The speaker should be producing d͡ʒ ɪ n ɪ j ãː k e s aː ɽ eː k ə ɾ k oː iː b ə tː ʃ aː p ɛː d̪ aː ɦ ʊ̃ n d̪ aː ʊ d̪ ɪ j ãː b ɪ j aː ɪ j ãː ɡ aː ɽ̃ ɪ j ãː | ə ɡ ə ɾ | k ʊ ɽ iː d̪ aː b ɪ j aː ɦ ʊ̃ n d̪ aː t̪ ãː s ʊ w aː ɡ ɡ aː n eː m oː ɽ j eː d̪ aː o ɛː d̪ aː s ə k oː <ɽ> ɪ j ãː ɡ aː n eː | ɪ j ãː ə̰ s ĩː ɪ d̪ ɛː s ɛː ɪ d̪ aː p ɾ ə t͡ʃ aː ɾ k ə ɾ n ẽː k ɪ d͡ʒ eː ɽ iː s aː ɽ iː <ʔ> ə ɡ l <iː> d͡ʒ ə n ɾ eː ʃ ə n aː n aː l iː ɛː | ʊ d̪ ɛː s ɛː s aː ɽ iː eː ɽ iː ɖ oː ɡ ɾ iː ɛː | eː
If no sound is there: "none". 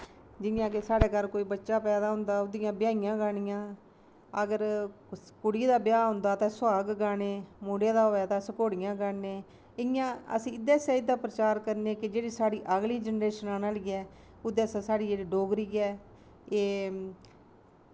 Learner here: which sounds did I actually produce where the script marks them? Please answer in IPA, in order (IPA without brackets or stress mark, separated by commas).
ɽ, ʔ, iː